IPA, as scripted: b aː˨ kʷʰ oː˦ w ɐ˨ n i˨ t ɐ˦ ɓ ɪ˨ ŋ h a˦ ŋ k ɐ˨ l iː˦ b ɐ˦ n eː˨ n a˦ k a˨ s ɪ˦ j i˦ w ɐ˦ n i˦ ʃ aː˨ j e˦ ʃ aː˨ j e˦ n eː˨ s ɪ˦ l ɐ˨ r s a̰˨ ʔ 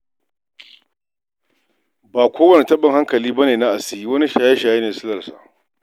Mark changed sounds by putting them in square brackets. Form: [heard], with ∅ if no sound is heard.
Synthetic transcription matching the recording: b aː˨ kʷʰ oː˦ w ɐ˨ n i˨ t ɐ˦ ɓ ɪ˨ ŋ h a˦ ŋ k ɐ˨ l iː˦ b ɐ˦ n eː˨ n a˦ [ʔ] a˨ s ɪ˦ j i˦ w ɐ˦ n i˦ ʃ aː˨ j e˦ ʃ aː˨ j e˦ n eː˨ s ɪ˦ l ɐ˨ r s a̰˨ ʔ